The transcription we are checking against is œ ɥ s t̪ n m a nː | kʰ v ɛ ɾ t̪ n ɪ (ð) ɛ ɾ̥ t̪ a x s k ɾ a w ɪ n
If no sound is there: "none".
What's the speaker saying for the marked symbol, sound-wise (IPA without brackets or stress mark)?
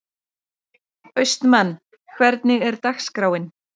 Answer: ɣ